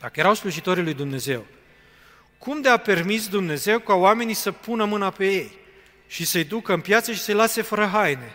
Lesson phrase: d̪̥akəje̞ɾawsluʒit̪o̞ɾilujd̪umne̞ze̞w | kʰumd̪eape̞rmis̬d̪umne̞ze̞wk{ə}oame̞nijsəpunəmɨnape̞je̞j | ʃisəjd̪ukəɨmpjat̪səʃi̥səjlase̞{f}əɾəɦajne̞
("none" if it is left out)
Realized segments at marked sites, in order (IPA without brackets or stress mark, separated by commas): a, f